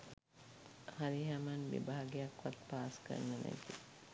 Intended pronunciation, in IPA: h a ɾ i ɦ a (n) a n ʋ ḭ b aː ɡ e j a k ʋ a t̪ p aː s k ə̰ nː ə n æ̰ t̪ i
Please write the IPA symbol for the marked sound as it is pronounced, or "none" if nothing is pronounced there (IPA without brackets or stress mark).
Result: m